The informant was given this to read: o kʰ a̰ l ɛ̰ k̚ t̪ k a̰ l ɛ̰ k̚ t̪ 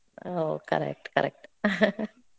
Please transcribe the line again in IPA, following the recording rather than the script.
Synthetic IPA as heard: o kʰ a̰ ɾ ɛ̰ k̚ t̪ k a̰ ɾ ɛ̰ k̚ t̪